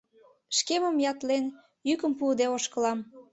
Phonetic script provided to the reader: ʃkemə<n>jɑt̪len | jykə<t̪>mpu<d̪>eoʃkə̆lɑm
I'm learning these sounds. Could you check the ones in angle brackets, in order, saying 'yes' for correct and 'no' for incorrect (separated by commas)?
no, no, yes